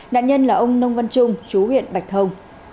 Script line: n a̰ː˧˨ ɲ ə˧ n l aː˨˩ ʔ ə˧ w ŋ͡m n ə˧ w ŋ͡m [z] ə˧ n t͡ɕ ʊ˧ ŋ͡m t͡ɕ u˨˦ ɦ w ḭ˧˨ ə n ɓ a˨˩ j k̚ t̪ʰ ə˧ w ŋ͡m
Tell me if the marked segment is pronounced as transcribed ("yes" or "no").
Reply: no